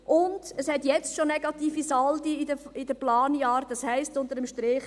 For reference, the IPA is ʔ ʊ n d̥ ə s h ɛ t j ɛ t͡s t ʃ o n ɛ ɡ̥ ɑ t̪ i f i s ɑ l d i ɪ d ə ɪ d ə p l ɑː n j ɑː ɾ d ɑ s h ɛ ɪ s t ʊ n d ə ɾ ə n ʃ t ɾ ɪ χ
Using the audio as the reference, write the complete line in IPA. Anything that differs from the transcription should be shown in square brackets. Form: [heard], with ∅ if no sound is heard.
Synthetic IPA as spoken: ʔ ʊ n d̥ ə s h ɛ t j ɛ t͡s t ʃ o n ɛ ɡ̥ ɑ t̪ [iː] f i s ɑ l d i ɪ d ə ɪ d ə p l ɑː n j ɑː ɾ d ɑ s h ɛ ɪ s t ʊ n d ə ɾ ə [m] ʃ t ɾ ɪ χ